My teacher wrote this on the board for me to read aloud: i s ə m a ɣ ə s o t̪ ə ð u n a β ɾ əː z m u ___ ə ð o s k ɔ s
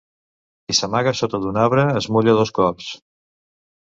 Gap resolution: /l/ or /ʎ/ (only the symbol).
ʎ